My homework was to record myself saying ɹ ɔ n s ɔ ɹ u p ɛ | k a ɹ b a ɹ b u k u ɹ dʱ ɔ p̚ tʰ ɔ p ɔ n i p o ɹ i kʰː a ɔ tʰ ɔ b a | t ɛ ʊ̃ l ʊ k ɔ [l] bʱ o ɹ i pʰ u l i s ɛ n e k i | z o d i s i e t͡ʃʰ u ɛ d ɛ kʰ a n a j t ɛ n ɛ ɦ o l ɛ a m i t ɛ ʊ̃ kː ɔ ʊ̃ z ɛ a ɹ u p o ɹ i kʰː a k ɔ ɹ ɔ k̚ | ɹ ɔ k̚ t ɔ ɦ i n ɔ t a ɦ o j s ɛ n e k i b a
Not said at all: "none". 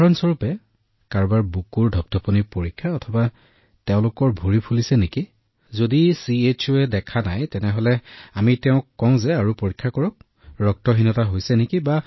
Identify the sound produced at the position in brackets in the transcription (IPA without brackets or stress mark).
ɹ